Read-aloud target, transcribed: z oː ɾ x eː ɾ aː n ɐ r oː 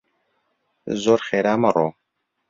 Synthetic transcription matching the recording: z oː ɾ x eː ɾ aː m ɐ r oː

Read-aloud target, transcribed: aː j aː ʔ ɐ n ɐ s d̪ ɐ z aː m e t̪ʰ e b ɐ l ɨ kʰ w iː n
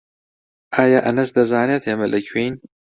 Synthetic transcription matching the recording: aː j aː ʔ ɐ n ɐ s d̪ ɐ z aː n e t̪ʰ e m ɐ l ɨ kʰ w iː n

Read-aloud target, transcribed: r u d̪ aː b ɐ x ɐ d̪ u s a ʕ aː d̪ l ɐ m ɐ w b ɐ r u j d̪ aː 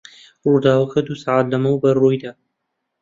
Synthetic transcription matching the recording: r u d̪ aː w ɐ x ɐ d̪ u s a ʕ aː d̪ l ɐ m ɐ w b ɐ r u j d̪ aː

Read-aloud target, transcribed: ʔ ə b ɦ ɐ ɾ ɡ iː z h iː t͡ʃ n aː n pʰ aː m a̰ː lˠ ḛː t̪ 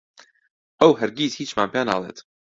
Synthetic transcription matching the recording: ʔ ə w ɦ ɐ ɾ ɡ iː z h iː t͡ʃ m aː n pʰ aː n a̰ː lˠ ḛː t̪

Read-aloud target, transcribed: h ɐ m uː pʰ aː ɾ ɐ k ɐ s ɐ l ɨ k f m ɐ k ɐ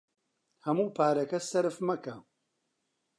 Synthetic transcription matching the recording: h ɐ m uː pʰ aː ɾ ɐ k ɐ s ɐ ɾ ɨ f m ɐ k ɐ

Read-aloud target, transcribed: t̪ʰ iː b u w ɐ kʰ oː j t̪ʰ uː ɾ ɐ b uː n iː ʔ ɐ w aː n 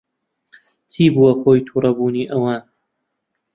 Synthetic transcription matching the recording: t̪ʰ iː b u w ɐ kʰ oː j t̪ʰ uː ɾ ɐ b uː n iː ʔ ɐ w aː n

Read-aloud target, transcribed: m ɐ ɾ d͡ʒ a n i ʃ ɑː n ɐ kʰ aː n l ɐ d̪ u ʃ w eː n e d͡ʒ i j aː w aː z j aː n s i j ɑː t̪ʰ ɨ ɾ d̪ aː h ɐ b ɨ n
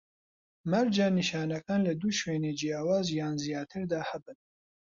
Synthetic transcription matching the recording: m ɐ ɾ d͡ʒ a n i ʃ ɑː n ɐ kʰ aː n l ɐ d̪ u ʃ w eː n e d͡ʒ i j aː w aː z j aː n z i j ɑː t̪ʰ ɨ ɾ d̪ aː h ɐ b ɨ n

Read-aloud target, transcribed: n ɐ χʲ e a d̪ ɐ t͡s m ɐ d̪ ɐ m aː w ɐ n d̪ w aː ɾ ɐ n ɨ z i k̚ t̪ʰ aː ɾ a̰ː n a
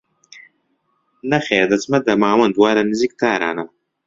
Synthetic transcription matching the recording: n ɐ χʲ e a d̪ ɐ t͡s m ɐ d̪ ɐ m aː w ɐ n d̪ w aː ɾ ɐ n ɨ z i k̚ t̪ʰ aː ɾ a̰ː n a

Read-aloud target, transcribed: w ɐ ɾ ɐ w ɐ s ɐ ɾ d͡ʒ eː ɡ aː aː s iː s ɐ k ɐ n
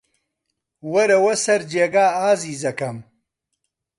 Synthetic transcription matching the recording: w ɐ ɾ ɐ w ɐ s ɐ ɾ d͡ʒ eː ɡ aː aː z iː z ɐ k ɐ m

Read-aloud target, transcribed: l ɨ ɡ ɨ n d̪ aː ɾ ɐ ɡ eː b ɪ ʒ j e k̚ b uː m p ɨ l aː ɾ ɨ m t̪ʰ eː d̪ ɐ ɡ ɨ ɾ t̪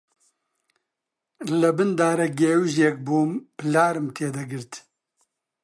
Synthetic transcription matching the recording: l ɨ b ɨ n d̪ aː ɾ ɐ ɡ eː w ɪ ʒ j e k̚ b uː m p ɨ l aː ɾ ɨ m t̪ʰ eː d̪ ɐ ɡ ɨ ɾ t̪

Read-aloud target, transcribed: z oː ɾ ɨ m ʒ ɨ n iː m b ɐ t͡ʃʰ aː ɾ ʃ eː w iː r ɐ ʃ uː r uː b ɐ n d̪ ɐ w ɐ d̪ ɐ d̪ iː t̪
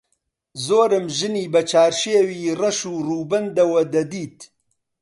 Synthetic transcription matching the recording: z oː ɾ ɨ m ʒ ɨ n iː b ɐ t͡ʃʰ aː ɾ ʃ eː w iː r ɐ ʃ uː r uː b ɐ n d̪ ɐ w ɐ d̪ ɐ d̪ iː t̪

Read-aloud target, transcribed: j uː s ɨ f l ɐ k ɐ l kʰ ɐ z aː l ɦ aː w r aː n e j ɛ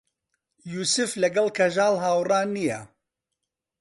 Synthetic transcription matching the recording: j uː s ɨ f l ɐ ɡ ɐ l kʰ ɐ ʒ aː l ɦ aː w r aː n i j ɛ

